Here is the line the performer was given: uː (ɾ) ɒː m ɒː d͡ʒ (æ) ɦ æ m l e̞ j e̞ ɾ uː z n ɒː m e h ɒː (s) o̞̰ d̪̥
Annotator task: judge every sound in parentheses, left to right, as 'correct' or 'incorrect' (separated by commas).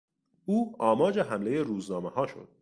incorrect, incorrect, incorrect